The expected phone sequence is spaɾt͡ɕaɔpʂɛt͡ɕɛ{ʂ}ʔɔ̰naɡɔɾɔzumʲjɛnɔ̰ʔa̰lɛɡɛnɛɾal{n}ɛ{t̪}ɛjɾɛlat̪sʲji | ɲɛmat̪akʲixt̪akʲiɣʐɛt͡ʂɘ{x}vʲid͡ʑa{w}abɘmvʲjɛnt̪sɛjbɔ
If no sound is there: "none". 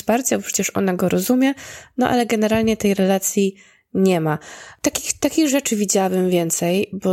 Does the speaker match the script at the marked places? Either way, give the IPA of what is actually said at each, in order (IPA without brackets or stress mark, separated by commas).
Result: ʂ, ɲ, t̪, none, w